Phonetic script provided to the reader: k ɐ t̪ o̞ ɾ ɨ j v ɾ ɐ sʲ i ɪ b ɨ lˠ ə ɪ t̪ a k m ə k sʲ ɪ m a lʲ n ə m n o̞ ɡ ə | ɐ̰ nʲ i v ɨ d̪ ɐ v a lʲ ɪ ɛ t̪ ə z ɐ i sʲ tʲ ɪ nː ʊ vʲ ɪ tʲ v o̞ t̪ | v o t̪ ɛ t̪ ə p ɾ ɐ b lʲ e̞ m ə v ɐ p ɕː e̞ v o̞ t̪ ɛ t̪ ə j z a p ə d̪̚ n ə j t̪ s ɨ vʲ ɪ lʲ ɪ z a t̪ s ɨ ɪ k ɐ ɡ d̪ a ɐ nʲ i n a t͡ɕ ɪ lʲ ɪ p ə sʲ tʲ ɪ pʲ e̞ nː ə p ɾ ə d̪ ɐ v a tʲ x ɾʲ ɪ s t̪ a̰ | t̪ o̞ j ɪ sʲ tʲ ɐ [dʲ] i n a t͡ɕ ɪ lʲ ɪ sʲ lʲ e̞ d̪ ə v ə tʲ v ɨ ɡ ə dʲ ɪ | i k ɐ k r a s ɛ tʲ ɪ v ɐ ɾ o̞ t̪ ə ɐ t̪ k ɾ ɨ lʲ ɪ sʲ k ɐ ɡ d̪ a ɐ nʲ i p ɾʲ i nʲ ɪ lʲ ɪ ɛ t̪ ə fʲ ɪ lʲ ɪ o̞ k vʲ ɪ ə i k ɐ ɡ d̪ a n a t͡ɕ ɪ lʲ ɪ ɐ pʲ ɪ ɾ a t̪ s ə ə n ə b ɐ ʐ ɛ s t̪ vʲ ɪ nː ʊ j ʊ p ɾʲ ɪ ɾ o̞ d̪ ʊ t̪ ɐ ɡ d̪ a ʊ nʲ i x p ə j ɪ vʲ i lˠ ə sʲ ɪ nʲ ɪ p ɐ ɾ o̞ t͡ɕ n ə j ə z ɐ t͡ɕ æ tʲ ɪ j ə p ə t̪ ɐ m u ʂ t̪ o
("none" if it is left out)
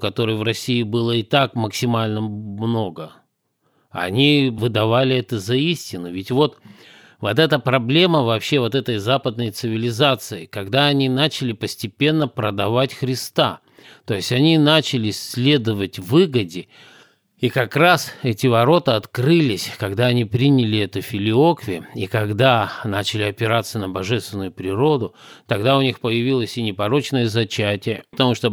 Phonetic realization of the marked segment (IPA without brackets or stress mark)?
nʲ